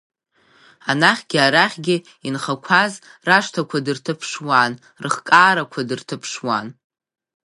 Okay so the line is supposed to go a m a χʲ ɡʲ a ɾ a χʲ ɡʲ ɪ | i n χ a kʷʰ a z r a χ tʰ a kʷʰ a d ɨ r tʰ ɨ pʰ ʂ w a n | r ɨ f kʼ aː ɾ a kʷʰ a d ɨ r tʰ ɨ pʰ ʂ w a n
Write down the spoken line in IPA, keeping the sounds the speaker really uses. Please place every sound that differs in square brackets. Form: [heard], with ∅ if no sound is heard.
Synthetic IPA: a [n] a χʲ ɡʲ a ɾ a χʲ ɡʲ ɪ | i n χ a kʷʰ a z r a [ʂ] tʰ a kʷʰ a d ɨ r tʰ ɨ pʰ ʂ w a n | r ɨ [χ] kʼ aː ɾ a kʷʰ a d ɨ r tʰ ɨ pʰ ʂ w a n

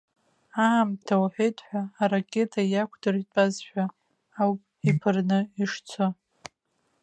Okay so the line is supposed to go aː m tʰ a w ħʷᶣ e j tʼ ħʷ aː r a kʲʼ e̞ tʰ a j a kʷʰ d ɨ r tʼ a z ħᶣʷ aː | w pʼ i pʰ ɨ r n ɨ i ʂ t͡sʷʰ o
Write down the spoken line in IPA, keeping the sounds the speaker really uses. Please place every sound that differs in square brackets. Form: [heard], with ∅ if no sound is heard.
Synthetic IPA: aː m tʰ a w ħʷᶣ e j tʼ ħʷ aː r a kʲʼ e̞ tʰ a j a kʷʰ d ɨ r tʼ a z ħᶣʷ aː | w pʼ i pʰ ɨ r n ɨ i ʂ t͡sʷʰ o

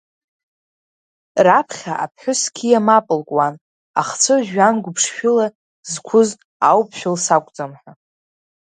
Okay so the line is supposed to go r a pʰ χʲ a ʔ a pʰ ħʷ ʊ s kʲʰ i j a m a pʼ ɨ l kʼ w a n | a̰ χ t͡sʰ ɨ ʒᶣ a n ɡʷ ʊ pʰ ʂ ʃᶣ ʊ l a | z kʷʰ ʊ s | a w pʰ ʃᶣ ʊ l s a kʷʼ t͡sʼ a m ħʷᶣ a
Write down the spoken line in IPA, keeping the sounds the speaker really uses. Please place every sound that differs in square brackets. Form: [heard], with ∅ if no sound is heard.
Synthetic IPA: r a pʰ χʲ a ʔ a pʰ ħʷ ʊ s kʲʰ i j a m a pʼ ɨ l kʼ w a n | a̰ χ t͡sʰ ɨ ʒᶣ a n ɡʷ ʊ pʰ ʂ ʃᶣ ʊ l a | z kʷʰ ʊ [z] | a w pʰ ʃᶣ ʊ l s a kʷʼ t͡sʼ a m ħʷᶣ a

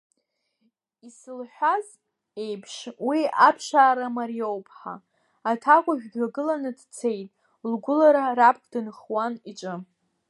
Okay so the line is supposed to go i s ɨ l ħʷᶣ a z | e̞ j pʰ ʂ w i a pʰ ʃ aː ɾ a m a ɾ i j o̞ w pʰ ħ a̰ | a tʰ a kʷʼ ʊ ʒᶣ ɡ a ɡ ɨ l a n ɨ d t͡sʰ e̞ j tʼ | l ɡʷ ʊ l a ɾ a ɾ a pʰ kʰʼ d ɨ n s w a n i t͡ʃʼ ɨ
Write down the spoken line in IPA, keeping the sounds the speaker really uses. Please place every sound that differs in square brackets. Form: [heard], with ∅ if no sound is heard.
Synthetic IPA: i s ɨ l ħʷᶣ a z | e̞ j pʰ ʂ w i a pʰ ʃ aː ɾ a m a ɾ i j o̞ w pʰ ħ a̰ | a tʰ a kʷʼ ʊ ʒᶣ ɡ a ɡ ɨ l a n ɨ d t͡sʰ e̞ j tʼ | l ɡʷ ʊ l a ɾ a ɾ a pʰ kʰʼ d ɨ n [χ] w a n i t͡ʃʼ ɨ

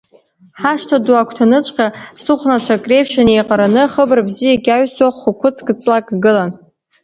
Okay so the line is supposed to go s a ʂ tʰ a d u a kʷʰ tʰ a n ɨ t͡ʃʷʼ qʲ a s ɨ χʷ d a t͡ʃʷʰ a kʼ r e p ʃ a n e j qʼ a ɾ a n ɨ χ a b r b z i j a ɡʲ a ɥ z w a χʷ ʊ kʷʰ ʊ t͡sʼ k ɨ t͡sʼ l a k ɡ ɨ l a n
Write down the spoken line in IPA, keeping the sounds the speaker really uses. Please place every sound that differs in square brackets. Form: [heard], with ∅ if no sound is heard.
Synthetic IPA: [ħ] a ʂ tʰ a d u a kʷʰ tʰ a n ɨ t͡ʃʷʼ qʲ a s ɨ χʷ [n] a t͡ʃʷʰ a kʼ r e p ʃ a n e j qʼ a ɾ a n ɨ χ [ə] b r b z i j a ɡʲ a ɥ [s] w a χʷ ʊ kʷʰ ʊ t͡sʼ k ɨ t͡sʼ l a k ɡ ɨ l a n

